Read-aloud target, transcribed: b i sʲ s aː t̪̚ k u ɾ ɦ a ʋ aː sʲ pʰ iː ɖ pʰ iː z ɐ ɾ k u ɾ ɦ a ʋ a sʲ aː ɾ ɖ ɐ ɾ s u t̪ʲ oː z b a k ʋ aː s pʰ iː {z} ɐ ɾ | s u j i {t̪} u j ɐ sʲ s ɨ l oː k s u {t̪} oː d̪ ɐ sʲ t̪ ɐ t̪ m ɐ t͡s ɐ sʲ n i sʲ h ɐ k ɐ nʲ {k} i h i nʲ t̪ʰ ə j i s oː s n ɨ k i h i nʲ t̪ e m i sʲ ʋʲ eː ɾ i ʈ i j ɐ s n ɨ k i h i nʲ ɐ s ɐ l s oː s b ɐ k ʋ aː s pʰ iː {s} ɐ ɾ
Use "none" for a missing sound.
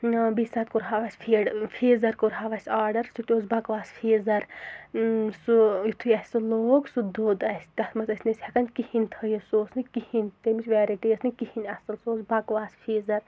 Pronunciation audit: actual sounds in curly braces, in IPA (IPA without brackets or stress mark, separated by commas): z, t̪ʰ, d̪, k, z